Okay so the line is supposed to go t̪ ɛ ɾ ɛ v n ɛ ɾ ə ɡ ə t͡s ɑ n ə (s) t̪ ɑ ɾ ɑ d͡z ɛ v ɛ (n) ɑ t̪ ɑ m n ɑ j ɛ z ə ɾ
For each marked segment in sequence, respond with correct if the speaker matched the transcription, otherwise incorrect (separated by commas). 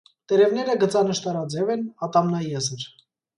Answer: incorrect, correct